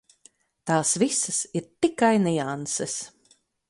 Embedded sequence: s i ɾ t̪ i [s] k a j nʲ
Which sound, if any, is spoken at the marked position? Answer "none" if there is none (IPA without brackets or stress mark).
none